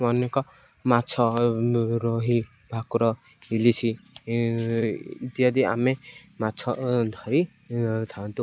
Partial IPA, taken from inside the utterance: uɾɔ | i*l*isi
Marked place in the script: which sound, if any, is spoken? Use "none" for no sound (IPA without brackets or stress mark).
l